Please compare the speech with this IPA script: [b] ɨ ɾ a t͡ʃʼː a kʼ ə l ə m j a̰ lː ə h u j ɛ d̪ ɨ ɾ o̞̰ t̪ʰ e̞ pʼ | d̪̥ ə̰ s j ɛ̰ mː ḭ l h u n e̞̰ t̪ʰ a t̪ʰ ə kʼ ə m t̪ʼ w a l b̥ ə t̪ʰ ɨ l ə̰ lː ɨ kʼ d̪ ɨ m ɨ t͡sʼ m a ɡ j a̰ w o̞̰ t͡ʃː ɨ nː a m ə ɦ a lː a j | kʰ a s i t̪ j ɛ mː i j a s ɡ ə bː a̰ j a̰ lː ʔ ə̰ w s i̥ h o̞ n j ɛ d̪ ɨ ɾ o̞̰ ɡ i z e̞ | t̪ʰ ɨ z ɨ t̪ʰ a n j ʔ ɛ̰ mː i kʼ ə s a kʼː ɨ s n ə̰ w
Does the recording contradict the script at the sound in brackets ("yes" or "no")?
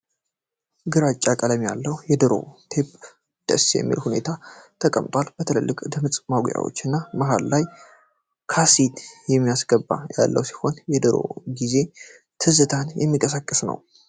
yes